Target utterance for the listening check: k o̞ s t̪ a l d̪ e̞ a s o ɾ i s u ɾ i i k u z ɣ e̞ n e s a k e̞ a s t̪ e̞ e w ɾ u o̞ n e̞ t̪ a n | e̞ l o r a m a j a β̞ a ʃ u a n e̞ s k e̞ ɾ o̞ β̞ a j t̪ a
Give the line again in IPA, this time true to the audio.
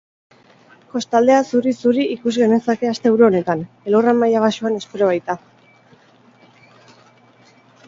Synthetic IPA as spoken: k o̞ s t̪ a l d̪ e̞ a s u ɾ i s u ɾ i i k u z ɣ e̞ n e s a k e̞ a s t̪ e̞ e w ɾ u o̞ n e̞ t̪ a n | e̞ l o r a m a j a β̞ a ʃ u a n e̞ s p e̞ ɾ o̞ β̞ a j t̪ a